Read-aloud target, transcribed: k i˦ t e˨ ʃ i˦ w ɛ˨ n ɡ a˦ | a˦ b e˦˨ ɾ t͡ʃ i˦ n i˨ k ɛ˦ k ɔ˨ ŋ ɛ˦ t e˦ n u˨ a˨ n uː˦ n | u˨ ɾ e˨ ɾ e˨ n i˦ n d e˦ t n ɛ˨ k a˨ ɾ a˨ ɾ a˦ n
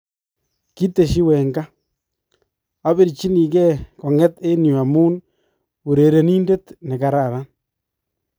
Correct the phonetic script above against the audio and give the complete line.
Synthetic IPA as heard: k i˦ t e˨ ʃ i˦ w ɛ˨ ŋ ɡ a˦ | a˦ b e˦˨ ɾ t͡ʃ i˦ n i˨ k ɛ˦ k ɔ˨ ŋ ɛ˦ t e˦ n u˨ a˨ m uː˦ n | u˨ ɾ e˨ ɾ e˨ n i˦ n d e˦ t n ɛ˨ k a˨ ɾ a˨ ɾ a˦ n